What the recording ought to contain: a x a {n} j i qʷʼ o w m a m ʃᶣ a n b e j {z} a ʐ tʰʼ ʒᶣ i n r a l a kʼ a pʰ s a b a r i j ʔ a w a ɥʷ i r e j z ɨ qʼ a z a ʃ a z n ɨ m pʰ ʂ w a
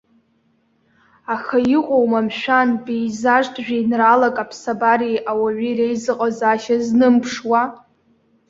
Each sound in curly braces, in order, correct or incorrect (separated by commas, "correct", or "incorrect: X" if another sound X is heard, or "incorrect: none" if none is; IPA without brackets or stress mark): incorrect: none, correct